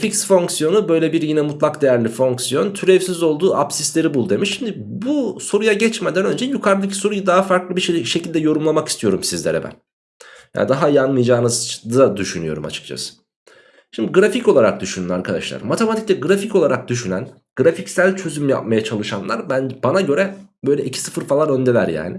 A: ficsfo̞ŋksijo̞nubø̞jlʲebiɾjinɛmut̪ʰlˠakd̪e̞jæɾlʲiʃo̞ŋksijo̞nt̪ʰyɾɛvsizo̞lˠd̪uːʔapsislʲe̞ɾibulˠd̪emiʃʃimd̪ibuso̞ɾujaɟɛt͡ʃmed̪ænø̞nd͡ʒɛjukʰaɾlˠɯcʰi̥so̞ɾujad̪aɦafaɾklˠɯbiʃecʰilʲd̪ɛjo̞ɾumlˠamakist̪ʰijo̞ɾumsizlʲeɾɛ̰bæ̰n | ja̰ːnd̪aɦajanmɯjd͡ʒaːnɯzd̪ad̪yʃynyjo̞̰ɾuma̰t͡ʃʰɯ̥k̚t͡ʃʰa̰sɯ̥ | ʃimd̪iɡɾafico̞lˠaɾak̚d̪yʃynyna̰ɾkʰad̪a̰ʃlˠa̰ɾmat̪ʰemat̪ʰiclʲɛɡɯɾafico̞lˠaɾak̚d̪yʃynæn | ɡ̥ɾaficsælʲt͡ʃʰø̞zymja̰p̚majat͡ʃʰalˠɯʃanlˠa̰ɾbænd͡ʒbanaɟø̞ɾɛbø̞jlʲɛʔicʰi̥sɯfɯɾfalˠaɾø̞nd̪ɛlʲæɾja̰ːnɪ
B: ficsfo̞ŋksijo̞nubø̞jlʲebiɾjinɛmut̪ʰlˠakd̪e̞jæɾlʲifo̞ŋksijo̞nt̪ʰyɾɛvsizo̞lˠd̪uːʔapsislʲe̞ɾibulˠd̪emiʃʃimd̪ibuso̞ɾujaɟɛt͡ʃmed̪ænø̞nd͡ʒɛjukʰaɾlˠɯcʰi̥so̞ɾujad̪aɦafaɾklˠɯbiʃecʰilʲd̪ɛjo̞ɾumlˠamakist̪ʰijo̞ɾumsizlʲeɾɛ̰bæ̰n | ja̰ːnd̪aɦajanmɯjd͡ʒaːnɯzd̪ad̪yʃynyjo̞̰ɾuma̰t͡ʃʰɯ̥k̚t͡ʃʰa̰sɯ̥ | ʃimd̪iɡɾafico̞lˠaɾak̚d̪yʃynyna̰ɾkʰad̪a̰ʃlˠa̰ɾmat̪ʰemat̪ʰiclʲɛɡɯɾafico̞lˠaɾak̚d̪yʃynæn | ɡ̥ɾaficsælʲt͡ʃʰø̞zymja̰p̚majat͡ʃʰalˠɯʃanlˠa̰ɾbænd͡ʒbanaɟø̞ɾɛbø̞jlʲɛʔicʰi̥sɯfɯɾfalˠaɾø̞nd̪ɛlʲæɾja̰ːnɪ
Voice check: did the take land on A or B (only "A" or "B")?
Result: B